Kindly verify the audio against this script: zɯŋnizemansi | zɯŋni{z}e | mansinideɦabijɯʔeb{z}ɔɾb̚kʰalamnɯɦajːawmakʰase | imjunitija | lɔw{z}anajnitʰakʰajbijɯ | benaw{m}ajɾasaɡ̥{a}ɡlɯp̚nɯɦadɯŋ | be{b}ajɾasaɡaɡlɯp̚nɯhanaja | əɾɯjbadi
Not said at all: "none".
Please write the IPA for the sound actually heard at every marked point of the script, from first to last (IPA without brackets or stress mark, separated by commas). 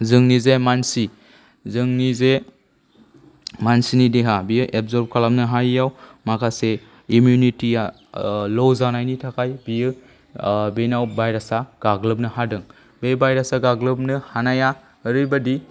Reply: z, z, z, b, a, b